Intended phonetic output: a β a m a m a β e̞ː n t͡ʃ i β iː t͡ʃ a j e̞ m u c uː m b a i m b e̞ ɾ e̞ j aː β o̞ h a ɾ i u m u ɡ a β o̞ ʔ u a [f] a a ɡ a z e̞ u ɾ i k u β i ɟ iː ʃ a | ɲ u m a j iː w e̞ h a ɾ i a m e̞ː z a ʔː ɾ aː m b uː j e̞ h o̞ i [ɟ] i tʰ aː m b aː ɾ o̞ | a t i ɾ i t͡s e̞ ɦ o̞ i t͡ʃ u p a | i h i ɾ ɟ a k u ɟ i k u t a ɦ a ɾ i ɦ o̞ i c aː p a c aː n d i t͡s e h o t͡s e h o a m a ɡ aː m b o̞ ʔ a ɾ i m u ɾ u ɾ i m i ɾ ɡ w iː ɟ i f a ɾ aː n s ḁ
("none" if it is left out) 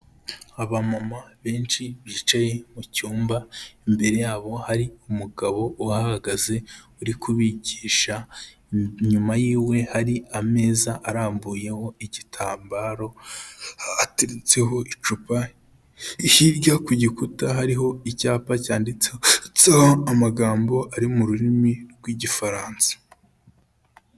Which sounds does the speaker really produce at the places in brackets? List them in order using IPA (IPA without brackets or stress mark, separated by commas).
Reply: h, ɟ